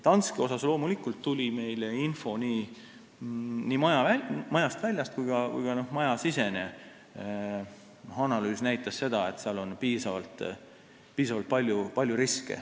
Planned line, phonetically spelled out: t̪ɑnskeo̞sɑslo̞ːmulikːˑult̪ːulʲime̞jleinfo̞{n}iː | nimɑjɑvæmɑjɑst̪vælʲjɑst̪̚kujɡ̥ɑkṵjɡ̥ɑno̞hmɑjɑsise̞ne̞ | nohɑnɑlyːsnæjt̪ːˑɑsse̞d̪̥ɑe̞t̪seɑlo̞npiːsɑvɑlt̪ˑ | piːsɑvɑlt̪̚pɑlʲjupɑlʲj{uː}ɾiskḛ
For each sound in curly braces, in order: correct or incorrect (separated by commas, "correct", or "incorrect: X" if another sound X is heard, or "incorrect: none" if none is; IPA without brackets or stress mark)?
correct, incorrect: u